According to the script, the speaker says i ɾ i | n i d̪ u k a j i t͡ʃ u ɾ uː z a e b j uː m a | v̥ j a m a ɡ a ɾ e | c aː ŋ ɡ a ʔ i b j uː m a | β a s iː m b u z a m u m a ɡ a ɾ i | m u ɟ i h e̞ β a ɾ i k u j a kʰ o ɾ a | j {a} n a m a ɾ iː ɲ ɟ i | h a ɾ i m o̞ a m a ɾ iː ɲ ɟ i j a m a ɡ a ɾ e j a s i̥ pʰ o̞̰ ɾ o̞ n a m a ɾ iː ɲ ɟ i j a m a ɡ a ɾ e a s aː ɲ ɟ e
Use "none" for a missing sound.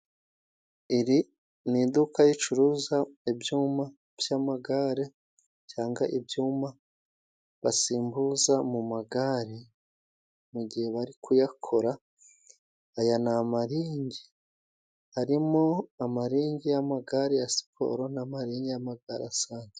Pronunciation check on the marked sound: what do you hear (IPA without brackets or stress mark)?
a